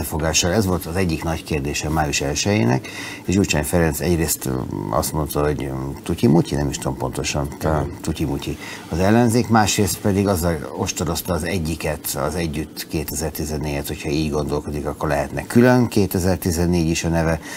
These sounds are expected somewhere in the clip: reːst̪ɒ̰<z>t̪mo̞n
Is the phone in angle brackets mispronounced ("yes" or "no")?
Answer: yes